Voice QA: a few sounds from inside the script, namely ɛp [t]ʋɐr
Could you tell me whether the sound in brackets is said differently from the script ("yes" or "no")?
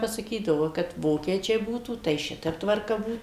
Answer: no